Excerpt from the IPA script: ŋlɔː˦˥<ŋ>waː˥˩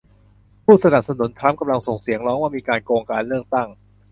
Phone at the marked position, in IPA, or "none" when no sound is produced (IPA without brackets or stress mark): ŋ